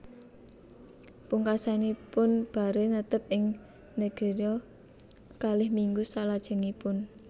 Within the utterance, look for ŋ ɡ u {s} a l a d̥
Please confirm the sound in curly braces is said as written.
yes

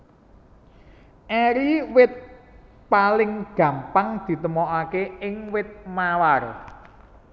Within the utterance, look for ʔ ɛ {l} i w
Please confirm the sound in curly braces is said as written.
no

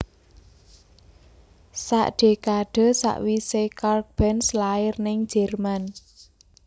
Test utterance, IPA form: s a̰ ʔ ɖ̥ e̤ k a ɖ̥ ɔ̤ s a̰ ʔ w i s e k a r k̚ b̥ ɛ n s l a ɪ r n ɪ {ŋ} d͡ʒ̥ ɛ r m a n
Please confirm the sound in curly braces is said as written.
yes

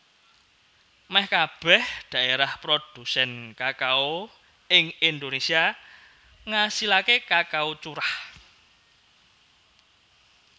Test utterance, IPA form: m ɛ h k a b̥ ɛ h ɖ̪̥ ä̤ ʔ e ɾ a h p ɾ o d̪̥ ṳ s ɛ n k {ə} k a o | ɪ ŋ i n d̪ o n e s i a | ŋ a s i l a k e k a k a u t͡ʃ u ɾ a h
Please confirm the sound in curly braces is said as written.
no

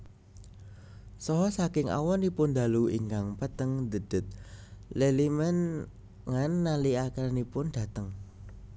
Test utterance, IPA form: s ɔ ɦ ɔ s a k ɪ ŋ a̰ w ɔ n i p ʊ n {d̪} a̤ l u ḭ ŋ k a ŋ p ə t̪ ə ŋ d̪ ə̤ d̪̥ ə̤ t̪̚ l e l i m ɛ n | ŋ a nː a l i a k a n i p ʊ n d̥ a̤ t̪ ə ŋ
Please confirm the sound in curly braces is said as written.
yes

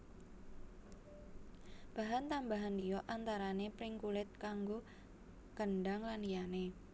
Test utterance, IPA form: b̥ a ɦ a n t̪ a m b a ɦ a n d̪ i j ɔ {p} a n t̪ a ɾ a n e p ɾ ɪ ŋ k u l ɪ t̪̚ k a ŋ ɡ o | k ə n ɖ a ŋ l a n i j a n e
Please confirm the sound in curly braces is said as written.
no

